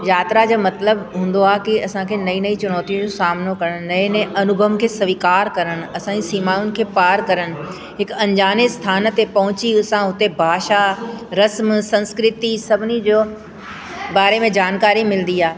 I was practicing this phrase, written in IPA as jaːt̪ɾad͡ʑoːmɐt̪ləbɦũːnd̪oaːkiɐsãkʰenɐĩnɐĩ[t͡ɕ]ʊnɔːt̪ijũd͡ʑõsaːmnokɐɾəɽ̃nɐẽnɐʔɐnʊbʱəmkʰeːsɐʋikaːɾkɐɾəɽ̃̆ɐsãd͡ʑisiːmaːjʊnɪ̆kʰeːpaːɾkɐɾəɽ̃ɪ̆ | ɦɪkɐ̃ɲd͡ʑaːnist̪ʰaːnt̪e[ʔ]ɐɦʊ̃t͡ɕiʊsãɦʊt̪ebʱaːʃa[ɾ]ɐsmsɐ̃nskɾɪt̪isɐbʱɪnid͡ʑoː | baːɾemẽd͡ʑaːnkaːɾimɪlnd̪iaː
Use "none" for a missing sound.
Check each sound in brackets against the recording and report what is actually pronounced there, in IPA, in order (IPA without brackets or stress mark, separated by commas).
t͡ɕ, p, ɾ